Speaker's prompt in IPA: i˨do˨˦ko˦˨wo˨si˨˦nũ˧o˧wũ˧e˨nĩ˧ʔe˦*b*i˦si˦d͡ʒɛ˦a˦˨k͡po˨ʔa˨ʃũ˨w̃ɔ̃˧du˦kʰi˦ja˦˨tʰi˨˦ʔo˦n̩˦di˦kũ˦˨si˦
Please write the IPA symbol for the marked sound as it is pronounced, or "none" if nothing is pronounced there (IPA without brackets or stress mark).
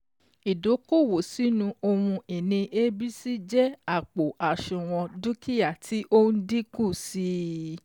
b